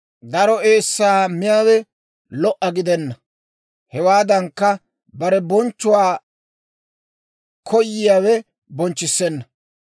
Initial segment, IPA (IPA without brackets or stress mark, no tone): d̪